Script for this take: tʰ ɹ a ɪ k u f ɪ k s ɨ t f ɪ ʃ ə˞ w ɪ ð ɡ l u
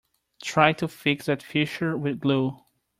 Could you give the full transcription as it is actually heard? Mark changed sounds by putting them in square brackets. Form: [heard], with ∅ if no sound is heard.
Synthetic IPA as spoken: tʰ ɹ a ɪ [t] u f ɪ k s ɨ t f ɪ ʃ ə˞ w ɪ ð ɡ l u